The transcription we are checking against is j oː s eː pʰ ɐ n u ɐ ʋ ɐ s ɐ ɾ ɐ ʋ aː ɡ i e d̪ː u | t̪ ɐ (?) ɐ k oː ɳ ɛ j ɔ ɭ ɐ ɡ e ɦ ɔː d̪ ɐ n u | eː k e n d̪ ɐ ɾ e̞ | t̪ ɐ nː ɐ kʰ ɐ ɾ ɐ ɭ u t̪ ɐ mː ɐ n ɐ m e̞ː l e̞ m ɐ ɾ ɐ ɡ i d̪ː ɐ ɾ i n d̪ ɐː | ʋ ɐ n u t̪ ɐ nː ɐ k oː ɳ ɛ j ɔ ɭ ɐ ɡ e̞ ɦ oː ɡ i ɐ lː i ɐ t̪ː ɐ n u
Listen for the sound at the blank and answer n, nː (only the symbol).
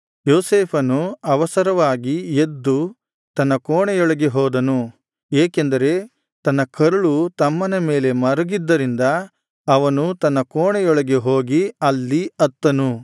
nː